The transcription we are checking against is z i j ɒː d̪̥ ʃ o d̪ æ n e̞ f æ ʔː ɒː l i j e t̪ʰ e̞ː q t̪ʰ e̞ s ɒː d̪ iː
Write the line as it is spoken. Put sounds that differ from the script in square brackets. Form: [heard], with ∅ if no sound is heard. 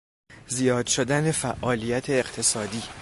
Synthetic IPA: z i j ɒː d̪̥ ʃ o d̪ æ n e̞ f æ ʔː ɒː l i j [æ] t̪ʰ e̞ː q t̪ʰ e̞ s ɒː d̪ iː